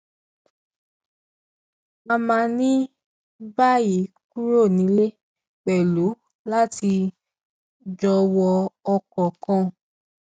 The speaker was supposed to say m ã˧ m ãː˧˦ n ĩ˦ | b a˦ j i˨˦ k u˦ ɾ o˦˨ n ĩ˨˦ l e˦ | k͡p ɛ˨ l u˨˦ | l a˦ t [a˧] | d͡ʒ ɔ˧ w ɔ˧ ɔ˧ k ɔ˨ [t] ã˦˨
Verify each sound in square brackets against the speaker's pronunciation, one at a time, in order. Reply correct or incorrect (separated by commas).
incorrect, incorrect